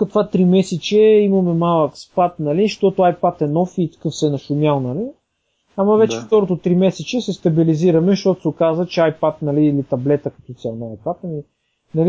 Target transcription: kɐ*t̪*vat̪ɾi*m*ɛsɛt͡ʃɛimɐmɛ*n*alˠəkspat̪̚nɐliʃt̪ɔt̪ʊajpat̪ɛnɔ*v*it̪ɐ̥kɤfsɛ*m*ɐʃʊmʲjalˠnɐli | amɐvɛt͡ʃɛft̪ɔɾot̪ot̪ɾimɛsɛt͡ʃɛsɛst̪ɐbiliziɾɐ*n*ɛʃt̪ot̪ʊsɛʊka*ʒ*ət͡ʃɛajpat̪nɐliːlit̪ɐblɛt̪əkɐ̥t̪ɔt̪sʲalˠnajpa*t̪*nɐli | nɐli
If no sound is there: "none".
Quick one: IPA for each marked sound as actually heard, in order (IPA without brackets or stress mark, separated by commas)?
t̪, m, m, f, n, m, z, t̪